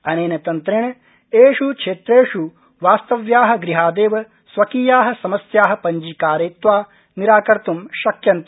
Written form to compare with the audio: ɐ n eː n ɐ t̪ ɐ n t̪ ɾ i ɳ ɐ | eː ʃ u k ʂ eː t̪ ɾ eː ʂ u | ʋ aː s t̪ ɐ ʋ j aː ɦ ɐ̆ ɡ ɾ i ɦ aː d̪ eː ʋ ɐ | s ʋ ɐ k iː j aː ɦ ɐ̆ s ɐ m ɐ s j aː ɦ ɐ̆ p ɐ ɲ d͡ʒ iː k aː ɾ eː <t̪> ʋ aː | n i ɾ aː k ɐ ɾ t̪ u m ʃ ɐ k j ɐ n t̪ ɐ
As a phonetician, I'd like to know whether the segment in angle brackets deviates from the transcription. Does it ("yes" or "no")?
no